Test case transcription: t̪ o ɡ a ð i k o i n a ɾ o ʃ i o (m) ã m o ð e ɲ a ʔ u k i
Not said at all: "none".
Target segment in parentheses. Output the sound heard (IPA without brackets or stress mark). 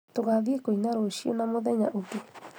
n